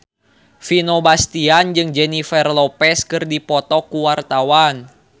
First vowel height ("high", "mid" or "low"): high